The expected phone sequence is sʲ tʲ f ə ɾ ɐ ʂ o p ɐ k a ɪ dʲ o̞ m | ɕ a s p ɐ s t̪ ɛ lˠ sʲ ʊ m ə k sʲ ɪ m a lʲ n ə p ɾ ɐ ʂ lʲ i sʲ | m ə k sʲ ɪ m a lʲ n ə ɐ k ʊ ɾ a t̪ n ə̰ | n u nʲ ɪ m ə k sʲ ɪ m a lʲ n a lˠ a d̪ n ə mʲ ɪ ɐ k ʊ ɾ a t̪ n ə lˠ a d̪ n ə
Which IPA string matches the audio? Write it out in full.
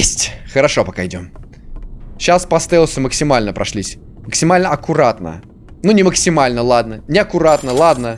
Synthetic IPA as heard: sʲ tʲ x ə ɾ ɐ ʂ o p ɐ k a ɪ dʲ o̞ m | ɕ a s p ɐ s t̪ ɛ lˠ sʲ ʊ m ə k sʲ ɪ m a lʲ n ə p ɾ ɐ ʂ lʲ i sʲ | m ə k sʲ ɪ m a lʲ n ə ɐ k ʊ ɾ a t̪ n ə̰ | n u nʲ ɪ m ə k sʲ ɪ m a lʲ n ə lˠ a d̪ n ə nʲ ɪ ɐ k ʊ ɾ a t̪ n ə lˠ a d̪ n ə